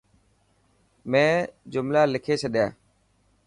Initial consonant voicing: voiced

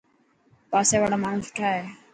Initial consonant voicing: voiceless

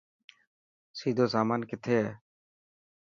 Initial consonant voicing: voiceless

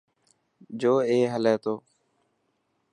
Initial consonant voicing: voiced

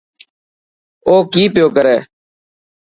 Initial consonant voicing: voiceless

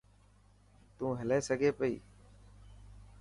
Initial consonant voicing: voiceless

